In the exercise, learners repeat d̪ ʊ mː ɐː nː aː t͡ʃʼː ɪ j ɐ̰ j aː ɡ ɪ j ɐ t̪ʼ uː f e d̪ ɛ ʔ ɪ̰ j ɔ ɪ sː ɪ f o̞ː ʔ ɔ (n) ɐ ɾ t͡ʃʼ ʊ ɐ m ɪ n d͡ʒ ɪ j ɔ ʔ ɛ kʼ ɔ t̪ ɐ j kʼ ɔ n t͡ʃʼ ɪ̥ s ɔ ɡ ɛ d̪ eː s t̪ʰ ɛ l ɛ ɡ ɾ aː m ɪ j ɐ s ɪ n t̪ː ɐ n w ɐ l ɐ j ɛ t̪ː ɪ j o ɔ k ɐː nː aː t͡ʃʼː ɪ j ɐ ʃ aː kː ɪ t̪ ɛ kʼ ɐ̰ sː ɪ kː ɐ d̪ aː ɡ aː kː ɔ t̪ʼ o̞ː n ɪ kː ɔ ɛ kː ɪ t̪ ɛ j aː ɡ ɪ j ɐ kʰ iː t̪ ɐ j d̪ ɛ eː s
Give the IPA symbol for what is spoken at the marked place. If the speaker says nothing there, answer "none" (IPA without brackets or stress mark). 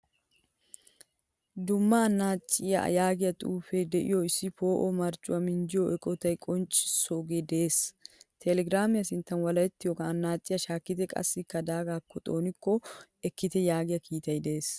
m